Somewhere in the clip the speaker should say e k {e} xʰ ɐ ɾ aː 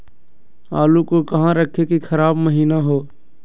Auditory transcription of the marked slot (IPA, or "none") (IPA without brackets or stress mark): i